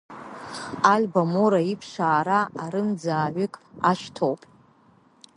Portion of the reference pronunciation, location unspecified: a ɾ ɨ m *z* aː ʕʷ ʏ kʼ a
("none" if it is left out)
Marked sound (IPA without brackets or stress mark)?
d͡z